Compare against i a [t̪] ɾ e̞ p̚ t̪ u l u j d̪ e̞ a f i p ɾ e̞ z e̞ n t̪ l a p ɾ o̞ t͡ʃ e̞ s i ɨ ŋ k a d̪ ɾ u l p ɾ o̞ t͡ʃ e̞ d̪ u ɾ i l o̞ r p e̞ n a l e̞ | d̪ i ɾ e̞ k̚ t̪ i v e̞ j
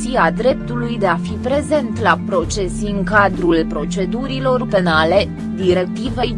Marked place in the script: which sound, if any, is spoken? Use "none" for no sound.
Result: d̪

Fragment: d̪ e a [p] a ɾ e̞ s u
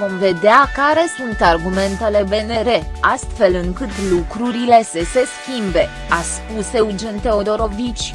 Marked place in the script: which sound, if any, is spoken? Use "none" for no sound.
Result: k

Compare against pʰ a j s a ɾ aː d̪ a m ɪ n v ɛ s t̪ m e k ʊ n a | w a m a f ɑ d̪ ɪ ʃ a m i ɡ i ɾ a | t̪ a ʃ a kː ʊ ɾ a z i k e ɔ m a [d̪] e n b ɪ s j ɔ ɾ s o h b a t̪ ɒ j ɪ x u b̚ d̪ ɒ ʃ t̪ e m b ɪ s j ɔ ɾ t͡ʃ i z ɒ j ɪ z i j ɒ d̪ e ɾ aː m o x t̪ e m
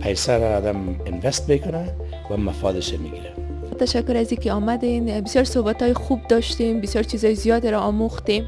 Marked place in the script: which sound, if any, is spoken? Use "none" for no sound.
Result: d̪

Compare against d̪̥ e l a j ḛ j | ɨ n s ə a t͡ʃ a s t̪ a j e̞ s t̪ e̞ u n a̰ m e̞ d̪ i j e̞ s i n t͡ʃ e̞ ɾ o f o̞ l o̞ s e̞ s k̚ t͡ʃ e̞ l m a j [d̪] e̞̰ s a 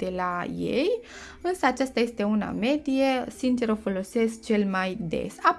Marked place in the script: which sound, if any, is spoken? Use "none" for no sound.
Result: d̪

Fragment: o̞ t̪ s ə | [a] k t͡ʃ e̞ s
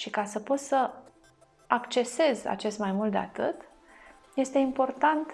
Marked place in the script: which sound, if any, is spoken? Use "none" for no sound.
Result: a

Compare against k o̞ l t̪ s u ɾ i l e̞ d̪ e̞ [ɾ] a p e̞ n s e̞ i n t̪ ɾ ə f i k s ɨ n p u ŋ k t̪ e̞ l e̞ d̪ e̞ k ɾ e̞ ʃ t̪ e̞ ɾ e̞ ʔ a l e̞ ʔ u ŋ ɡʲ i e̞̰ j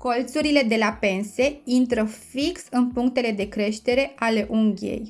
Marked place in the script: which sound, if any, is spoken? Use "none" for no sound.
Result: l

